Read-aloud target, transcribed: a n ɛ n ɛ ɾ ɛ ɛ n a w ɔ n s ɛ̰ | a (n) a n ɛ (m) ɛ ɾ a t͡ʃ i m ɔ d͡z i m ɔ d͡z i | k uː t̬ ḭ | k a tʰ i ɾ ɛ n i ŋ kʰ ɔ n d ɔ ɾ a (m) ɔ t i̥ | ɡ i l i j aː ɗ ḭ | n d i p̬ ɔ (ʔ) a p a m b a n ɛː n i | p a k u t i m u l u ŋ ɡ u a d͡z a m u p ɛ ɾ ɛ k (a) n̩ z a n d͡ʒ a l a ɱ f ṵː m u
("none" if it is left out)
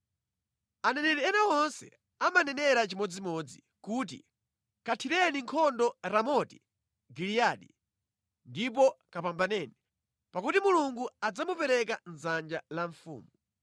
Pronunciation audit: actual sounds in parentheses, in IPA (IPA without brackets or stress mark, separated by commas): m, n, m, k, a